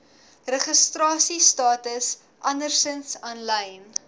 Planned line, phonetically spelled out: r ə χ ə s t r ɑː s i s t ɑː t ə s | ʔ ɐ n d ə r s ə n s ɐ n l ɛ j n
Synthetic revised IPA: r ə χ ə s t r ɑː s i s t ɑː t ə s | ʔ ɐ n d ə r s ə n s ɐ n l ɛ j n